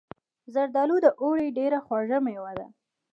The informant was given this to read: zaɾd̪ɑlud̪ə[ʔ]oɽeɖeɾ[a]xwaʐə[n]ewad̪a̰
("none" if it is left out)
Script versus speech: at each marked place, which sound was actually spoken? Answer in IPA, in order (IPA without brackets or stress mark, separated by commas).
ʔ, a, m